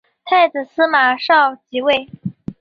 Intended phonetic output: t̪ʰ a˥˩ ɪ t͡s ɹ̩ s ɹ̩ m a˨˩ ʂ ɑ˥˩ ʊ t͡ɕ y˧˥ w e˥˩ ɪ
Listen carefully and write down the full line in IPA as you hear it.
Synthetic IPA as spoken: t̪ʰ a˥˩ ɪ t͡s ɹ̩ s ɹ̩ m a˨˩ ʂ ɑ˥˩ ʊ t͡ɕ i˧˥ w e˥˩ ɪ